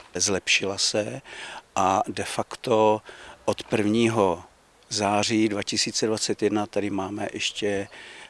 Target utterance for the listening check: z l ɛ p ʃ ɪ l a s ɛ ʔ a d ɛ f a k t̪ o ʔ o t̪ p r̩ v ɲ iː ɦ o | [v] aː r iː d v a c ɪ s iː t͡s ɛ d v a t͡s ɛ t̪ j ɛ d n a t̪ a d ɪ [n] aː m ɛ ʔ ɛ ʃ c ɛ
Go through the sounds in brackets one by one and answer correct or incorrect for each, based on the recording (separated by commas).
incorrect, incorrect